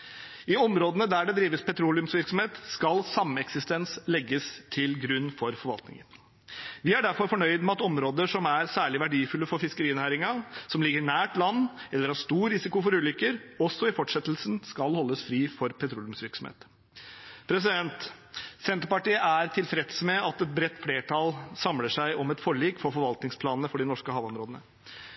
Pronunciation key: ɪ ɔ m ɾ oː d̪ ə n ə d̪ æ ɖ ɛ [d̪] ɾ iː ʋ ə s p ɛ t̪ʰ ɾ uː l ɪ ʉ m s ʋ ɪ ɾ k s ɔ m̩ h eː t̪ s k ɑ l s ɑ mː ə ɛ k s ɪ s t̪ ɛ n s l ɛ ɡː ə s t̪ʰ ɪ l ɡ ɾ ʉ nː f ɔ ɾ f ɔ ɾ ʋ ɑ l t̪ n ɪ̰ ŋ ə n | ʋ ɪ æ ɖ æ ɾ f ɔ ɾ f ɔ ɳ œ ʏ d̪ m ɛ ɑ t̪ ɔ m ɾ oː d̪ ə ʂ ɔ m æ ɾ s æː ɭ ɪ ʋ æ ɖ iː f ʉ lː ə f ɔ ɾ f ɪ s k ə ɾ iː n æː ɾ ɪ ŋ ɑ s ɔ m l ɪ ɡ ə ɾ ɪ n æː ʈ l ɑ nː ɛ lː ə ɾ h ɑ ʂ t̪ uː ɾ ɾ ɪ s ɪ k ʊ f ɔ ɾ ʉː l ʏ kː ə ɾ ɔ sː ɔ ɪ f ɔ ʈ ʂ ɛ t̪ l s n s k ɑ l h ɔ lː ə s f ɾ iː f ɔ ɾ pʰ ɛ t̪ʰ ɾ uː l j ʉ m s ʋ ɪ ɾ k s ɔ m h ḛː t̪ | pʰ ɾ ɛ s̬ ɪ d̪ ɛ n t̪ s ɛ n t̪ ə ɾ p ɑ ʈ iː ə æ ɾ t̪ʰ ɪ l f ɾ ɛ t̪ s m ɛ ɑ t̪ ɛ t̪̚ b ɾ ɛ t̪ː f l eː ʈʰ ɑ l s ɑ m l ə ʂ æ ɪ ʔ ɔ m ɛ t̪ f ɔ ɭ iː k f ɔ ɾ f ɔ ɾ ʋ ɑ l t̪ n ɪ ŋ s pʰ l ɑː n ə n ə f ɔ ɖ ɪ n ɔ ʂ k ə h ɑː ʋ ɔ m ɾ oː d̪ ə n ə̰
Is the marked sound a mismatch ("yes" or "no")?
no